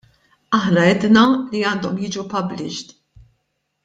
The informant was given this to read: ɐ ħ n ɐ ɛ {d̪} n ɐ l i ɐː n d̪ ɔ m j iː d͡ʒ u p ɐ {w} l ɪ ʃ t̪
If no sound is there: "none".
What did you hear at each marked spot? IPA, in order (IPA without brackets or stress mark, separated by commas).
d̪, b